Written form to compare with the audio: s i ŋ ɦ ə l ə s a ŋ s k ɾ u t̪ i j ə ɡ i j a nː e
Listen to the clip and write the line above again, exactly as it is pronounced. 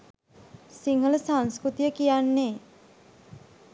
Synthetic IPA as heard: s i ŋ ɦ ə l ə s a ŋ s k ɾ u t̪ i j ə k i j a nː e